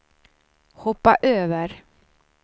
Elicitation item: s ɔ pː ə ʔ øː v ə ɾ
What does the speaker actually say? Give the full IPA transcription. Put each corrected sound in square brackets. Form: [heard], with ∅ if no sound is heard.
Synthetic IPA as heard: [h] ɔ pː [a] ʔ øː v ə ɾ